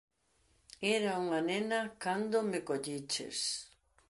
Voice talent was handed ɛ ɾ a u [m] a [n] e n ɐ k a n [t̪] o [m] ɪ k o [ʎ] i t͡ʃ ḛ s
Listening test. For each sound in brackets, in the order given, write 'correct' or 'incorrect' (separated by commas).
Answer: incorrect, correct, incorrect, correct, correct